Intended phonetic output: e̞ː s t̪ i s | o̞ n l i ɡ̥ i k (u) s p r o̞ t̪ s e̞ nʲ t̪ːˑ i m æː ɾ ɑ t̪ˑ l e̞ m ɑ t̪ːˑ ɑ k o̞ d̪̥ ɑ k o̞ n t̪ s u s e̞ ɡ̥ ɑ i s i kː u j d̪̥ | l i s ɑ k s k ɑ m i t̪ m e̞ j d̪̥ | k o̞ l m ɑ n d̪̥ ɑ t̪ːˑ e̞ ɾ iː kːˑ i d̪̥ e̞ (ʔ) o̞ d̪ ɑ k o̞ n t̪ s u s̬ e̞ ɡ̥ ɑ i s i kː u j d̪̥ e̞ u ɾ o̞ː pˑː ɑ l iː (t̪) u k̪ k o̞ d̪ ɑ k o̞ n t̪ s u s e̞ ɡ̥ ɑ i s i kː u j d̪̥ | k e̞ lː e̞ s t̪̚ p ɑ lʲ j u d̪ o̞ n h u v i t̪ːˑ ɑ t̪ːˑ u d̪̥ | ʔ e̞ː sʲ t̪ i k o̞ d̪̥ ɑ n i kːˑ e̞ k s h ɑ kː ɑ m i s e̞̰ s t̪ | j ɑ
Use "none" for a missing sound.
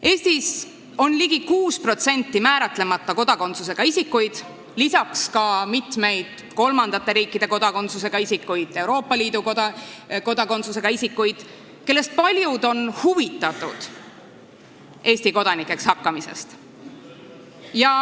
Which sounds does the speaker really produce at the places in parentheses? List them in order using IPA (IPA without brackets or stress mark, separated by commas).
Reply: uː, k, d̪